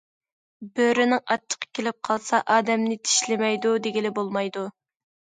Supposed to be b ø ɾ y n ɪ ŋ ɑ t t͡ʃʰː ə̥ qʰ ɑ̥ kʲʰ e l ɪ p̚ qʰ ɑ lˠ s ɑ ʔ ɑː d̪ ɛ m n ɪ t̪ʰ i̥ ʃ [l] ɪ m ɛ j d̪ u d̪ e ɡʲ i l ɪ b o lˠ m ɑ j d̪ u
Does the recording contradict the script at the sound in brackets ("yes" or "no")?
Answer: no